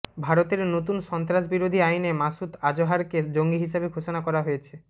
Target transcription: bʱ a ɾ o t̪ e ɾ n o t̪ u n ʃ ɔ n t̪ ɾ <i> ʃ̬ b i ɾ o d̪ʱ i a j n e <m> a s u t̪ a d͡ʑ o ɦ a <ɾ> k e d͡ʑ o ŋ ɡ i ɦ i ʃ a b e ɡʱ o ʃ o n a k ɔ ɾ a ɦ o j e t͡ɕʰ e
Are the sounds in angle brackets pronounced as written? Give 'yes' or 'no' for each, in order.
no, yes, yes

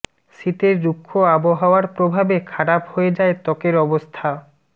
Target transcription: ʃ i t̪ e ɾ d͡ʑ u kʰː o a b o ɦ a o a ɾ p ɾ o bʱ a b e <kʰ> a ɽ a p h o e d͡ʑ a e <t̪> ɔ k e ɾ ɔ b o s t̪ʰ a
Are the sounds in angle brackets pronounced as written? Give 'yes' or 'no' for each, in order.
yes, yes

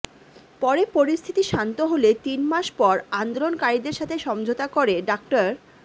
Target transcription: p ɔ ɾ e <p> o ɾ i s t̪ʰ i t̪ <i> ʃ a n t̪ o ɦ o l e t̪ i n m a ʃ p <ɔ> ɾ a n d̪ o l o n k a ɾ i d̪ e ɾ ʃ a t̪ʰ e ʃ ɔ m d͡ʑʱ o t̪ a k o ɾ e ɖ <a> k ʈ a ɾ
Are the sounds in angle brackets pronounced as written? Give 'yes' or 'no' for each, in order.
yes, yes, yes, yes

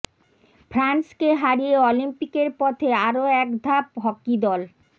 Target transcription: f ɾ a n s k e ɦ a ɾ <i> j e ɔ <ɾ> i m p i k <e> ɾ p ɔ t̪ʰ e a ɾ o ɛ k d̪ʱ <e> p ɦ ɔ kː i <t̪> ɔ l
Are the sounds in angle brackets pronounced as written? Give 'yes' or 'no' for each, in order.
yes, no, yes, no, no

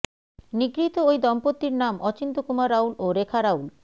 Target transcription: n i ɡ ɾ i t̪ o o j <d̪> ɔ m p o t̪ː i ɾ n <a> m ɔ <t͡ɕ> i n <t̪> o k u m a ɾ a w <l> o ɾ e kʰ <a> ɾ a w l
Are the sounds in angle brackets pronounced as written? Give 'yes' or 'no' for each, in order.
yes, yes, yes, yes, yes, yes

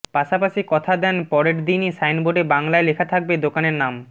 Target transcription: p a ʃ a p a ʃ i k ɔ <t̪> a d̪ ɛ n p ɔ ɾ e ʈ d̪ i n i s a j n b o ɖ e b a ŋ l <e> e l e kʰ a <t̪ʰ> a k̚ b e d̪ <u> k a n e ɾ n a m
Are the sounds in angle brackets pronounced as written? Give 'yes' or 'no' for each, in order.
no, no, yes, no

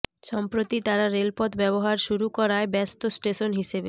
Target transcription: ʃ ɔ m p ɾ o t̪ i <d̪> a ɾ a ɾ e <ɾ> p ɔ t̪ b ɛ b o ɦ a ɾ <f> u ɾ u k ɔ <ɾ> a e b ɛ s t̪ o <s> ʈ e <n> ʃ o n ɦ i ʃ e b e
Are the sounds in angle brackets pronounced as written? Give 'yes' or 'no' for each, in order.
no, no, no, yes, yes, no

